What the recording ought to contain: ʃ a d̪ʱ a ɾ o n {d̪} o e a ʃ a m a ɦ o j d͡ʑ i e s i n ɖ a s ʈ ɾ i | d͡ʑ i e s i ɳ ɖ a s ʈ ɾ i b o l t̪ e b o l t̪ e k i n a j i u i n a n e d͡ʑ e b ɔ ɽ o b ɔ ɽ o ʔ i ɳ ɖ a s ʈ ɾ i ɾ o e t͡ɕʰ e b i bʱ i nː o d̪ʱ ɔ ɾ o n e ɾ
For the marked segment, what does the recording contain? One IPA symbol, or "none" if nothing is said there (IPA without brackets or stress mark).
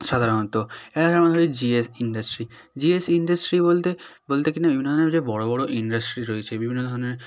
t̪